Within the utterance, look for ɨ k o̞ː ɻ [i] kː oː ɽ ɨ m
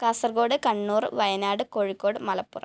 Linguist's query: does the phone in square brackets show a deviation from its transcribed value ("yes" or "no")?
no